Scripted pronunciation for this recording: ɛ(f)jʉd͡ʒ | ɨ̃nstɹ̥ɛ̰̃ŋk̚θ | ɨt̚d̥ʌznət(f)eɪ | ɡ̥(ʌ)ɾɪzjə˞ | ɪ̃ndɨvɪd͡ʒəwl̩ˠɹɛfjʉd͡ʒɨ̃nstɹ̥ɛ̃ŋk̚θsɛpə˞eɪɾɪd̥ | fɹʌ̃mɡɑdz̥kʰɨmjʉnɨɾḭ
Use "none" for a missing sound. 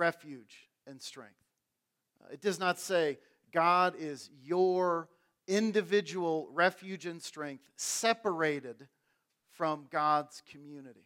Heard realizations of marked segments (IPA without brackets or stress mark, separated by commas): f, s, ɑ